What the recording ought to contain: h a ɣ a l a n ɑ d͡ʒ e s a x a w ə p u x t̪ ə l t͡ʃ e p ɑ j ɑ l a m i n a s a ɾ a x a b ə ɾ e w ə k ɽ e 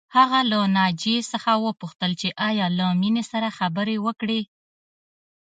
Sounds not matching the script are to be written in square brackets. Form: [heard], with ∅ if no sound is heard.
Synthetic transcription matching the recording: h a ɣ a l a n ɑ d͡ʒ e s [ə] x a w ə p u x t̪ ə l t͡ʃ e [ʔ] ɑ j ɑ l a m i n [e] s a ɾ a x a b ə ɾ e w ə k ɽ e